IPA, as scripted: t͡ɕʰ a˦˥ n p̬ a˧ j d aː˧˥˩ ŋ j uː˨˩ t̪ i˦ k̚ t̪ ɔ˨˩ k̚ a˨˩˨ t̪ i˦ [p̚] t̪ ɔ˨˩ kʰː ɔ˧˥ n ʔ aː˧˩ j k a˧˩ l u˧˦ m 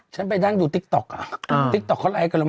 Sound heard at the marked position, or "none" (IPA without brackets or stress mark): k̚